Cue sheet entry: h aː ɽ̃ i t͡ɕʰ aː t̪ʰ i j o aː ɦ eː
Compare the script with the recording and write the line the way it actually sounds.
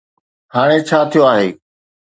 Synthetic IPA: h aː ɽ̃ e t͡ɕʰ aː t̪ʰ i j o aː ɦ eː